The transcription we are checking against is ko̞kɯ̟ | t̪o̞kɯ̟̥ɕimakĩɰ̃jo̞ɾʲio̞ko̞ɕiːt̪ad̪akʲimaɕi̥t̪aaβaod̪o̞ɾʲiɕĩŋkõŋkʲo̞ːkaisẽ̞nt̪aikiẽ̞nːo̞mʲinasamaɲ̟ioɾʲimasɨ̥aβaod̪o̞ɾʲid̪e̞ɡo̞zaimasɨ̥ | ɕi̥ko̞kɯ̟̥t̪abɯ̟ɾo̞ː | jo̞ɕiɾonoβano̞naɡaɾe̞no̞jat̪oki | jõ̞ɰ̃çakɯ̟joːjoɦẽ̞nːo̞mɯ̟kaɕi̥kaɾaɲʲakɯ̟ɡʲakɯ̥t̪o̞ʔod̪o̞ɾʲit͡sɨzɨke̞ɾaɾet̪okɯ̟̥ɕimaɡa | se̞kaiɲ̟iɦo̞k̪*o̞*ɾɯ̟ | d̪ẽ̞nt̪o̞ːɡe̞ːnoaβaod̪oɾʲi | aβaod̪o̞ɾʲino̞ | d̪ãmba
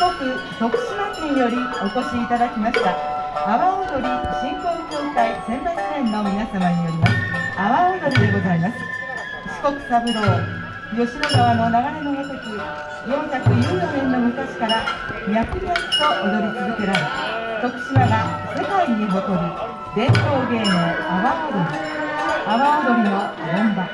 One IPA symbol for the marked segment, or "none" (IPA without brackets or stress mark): o̞